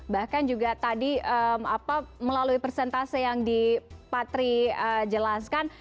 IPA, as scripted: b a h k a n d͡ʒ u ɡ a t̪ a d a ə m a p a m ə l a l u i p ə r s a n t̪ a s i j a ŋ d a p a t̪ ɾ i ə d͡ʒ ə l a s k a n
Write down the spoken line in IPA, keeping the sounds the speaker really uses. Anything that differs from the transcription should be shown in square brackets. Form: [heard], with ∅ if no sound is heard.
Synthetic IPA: b a h k a n d͡ʒ u ɡ a t̪ a d [i] ə m a p a m ə l a l u i p ə r s [ɛ] n t̪ a s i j a ŋ d [i] p a t̪ ɾ i ə d͡ʒ ə l a s k a n